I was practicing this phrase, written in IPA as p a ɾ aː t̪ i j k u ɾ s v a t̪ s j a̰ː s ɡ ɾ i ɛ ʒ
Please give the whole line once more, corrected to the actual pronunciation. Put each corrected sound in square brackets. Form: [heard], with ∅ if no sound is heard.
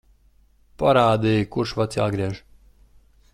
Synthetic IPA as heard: p a ɾ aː [d̪] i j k u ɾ [ʃ] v a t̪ s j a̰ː [∅] ɡ ɾ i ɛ ʒ